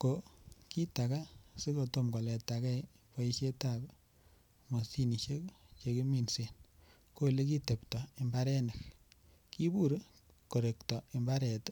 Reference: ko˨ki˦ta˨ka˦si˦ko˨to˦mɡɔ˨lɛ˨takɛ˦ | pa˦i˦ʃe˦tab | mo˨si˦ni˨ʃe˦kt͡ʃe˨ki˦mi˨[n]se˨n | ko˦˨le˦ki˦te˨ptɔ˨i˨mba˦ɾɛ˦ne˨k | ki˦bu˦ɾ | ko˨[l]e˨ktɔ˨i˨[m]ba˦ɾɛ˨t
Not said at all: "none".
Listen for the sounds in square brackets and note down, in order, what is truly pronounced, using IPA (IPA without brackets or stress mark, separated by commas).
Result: n, ɾ, m